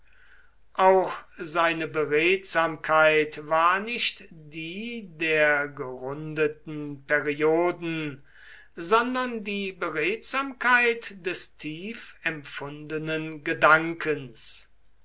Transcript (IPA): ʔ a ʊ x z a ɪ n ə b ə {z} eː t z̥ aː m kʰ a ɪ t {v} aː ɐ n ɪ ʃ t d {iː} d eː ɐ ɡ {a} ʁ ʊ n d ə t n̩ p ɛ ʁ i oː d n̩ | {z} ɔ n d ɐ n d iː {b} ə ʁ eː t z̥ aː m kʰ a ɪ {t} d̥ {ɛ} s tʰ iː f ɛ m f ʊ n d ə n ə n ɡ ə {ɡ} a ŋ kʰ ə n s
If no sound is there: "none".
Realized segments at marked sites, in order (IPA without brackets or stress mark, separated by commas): ʁ, v, iː, ə, z, b, t, ɛ, d